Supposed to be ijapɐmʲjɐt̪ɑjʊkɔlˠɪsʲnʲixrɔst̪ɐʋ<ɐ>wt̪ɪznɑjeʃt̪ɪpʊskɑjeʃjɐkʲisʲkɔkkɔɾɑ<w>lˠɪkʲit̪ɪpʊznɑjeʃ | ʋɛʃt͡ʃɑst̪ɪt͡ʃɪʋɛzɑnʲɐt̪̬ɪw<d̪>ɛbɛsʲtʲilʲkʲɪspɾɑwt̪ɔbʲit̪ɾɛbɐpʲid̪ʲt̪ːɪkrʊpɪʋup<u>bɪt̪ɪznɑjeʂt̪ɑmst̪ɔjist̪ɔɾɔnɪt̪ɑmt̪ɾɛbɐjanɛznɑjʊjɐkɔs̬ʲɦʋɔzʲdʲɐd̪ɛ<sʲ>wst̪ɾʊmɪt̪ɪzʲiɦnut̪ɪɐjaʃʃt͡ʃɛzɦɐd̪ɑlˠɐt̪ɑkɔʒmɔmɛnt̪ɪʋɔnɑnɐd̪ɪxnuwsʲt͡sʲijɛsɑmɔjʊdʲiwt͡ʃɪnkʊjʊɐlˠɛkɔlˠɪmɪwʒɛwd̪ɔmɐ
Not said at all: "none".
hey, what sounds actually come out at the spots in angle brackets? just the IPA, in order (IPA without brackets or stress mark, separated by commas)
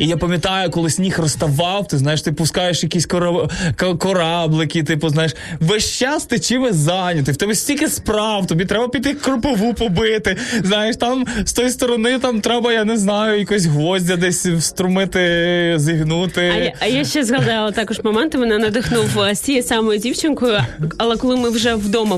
ɑ, b, t̪, ɔ, sʲ